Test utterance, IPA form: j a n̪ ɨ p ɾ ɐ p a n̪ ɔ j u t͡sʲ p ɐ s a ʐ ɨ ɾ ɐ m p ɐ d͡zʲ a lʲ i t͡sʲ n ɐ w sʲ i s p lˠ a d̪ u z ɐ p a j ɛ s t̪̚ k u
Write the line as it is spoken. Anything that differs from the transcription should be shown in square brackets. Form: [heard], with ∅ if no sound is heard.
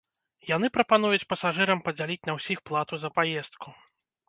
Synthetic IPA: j a n̪ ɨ p ɾ ɐ p a n̪ [u] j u t͡sʲ p ɐ s a ʐ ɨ ɾ ɐ m p ɐ d͡zʲ a lʲ i t͡sʲ n ɐ w sʲ i [x] p lˠ a [t̪] u z ɐ p a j ɛ s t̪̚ k u